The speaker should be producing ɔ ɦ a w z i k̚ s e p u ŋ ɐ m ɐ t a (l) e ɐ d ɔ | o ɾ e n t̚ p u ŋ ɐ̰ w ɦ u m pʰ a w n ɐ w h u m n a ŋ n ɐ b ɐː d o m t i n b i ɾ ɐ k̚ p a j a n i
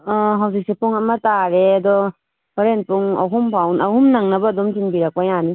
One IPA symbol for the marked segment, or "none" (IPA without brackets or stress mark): ɾ